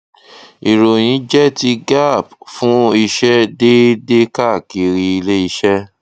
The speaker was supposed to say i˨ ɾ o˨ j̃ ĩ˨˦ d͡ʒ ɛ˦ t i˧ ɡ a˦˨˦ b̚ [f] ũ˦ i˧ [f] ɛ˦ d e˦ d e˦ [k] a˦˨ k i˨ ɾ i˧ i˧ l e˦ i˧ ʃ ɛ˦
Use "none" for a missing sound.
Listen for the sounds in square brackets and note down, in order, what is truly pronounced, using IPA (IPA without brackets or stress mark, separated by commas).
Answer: f, ʃ, k